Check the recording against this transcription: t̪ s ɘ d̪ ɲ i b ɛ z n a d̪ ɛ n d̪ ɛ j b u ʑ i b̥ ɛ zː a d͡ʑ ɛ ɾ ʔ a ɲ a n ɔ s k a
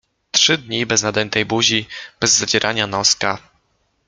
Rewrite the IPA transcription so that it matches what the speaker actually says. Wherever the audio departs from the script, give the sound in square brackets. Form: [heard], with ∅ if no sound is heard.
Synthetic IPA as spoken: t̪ [ʂ] ɘ d̪ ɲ i b ɛ z n a d̪ ɛ n [t̪] ɛ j b u ʑ i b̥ ɛ zː a d͡ʑ ɛ ɾ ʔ a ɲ a n ɔ s k a